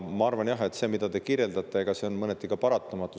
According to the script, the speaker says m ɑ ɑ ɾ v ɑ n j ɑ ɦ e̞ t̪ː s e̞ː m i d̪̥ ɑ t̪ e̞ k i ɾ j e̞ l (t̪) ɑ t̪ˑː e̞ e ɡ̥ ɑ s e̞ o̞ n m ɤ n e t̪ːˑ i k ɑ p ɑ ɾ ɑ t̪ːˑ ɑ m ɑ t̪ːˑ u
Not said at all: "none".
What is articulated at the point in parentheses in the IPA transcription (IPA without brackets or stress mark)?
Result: d̪